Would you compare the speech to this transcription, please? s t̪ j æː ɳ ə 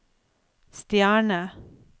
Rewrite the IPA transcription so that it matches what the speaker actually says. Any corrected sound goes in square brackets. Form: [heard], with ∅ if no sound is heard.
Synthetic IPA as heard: s t̪ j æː ɳ ə